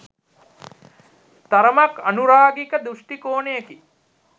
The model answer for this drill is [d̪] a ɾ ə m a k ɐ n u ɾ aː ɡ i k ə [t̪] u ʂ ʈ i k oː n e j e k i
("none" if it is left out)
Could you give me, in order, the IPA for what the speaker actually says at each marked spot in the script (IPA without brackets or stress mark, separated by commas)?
t̪, d̪